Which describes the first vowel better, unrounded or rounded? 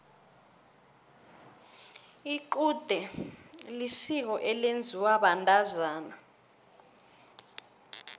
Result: unrounded